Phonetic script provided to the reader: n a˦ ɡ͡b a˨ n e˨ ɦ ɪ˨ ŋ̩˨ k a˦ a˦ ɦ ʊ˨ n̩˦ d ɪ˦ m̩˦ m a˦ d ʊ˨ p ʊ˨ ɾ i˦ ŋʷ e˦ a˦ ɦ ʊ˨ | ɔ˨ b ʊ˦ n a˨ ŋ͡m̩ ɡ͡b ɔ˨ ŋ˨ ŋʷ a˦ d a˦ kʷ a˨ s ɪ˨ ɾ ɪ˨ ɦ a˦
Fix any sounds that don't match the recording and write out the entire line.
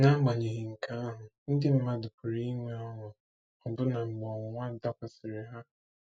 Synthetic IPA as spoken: n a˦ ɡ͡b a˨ ɲ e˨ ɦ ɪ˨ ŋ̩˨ k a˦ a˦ ɦ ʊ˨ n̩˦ d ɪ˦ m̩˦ m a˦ d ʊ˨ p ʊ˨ ɾ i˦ ŋʷ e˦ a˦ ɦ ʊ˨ | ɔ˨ b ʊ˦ n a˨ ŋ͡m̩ ɡ͡b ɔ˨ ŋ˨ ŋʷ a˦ d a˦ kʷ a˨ s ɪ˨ ɾ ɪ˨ ɦ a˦